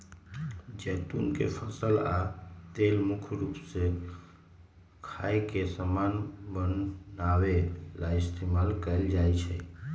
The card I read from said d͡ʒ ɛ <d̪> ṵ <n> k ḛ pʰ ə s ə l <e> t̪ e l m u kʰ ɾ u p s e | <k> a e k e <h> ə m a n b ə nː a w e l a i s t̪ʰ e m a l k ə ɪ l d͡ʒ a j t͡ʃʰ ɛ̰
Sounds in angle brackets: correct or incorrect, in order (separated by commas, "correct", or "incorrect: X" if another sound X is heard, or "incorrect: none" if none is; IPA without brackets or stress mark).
incorrect: t̪, correct, incorrect: a, incorrect: kʰ, incorrect: s